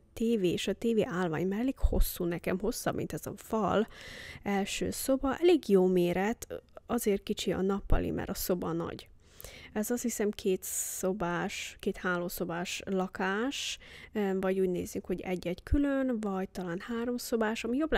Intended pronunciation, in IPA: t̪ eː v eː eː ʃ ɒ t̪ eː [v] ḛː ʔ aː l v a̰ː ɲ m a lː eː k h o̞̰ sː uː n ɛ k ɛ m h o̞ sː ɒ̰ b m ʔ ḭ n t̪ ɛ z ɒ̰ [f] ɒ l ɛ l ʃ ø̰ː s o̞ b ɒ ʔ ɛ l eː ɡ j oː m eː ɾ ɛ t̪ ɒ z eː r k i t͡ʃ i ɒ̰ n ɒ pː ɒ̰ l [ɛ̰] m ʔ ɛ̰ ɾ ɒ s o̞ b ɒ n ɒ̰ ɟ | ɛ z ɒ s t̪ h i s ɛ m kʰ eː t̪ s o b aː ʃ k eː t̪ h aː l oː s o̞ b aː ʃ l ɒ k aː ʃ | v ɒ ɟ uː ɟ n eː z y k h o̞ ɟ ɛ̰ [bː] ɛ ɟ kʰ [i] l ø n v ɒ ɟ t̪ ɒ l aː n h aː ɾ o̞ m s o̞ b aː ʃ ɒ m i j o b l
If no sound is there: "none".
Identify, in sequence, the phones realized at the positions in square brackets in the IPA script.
v, f, ḭ, ɟː, y

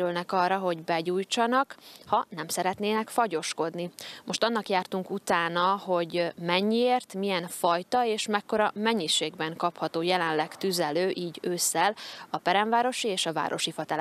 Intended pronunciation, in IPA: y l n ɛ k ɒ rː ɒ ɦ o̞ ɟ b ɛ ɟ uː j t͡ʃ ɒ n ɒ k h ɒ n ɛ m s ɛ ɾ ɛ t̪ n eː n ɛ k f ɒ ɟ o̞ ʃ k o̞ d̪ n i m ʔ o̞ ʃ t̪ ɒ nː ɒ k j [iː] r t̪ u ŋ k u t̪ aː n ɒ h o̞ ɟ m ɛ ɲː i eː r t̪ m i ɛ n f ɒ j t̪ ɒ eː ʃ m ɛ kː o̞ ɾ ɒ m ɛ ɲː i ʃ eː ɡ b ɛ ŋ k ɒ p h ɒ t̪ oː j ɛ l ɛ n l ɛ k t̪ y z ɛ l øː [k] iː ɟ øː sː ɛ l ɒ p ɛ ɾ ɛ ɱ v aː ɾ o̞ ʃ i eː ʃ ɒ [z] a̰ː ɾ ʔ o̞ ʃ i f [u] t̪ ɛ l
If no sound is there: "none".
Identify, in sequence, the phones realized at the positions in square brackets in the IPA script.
aː, ʔ, v, ɒ

